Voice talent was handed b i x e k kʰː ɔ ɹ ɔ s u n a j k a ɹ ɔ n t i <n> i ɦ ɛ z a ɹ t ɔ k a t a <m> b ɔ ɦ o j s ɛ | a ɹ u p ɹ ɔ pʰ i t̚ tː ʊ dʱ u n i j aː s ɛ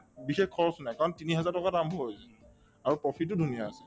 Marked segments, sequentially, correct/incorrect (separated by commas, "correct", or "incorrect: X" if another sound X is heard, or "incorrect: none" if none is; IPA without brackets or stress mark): correct, correct